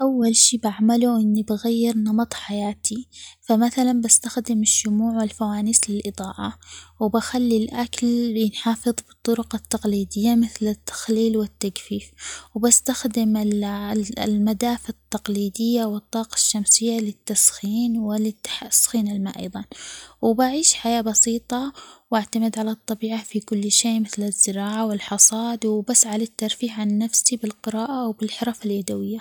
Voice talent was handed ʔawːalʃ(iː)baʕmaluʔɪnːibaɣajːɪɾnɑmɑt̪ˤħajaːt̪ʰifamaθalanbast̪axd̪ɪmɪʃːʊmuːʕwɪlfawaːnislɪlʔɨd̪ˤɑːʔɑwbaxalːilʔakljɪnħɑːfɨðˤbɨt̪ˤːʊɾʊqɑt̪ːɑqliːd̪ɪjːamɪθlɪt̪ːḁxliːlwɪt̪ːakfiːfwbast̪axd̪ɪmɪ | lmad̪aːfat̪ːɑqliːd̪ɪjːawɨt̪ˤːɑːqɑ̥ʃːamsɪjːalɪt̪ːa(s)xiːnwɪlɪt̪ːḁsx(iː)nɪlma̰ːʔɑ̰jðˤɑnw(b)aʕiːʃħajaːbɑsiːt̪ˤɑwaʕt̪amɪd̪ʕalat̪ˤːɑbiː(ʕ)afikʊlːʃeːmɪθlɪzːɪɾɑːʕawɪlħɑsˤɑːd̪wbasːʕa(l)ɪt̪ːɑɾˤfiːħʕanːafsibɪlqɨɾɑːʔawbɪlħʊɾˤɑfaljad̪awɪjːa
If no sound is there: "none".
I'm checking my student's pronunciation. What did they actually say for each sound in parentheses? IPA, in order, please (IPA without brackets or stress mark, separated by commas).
iː, s, iː, b, ʕ, l